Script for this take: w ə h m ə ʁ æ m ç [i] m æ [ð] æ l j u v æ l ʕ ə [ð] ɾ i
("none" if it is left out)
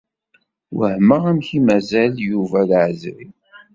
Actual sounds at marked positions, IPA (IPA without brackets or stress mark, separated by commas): i, z, z